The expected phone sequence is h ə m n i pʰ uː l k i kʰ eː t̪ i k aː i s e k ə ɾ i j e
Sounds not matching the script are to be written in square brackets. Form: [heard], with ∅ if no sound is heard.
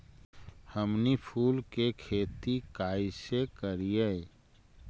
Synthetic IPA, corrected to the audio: h ə m n i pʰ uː l k [e] kʰ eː t̪ i k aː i s e k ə ɾ i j e